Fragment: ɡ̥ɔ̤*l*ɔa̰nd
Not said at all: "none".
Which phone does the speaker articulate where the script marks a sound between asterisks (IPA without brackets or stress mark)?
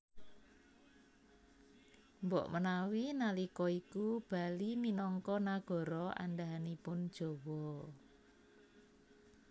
ɾ